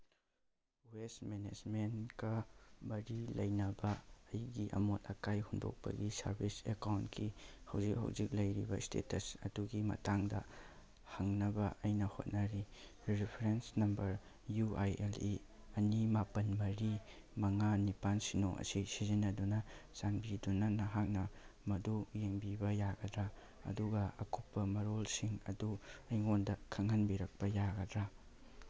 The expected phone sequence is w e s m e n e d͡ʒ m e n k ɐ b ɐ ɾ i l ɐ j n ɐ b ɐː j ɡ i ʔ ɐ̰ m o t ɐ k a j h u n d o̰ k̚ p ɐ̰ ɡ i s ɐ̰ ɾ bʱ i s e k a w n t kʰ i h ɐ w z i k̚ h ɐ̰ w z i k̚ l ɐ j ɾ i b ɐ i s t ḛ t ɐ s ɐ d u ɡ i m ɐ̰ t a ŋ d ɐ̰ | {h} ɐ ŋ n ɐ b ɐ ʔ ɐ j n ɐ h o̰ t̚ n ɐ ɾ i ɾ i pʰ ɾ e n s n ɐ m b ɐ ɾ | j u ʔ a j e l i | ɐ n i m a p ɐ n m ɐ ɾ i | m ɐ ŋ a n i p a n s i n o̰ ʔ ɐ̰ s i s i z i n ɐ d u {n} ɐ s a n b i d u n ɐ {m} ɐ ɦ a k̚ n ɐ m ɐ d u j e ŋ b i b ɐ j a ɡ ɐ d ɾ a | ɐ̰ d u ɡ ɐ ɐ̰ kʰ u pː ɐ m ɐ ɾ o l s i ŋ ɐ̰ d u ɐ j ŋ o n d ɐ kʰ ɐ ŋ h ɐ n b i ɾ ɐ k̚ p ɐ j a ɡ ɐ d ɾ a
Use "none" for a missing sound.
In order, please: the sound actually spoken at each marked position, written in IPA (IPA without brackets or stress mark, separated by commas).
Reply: h, n, n